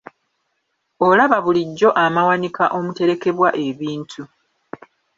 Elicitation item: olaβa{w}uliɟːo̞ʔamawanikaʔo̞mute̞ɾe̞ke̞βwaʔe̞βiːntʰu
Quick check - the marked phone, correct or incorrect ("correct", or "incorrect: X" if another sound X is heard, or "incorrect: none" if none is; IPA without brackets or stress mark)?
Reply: incorrect: β